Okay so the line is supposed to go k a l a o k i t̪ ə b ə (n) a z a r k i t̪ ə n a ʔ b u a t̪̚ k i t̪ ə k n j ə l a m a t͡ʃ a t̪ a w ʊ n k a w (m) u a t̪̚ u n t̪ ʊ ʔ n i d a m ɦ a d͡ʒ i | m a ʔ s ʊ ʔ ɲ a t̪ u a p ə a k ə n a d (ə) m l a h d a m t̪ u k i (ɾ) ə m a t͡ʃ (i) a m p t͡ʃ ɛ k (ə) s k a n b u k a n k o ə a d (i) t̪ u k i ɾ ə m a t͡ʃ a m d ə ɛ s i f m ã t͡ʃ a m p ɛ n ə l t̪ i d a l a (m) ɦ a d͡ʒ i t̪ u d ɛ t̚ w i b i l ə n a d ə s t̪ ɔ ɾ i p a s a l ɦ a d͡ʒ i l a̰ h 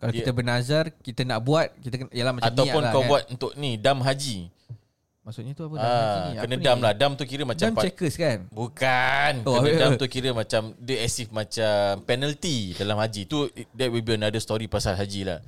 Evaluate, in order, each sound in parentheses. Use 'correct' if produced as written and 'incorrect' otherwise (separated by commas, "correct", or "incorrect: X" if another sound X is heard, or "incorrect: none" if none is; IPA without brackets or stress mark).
correct, incorrect: b, incorrect: a, correct, incorrect: a, correct, incorrect: a, correct